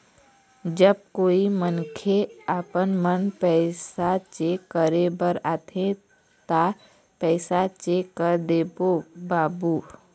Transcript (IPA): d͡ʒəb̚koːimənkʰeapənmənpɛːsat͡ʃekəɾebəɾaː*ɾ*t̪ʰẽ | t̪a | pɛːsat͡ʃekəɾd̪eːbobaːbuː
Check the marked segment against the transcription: incorrect: none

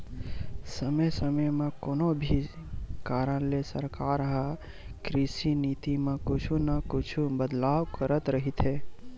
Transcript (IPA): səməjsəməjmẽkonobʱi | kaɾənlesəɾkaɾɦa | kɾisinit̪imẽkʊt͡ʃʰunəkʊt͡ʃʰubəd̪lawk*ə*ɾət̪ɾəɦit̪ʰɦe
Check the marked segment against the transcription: correct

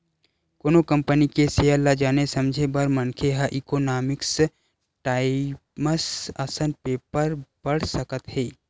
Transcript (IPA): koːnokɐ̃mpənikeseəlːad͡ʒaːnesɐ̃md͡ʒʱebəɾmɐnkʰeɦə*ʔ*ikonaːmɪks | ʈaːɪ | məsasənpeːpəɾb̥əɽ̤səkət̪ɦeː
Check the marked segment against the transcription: correct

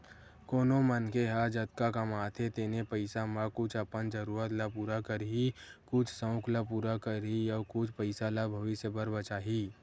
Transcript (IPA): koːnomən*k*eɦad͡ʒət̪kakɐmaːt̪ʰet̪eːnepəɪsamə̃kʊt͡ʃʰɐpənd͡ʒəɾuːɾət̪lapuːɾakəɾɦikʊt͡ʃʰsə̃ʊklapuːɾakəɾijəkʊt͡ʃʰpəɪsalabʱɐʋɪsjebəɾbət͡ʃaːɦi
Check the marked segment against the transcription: correct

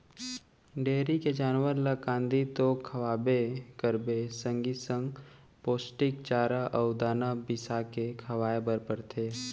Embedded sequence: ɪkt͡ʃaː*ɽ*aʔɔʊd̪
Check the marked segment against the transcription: incorrect: ɾ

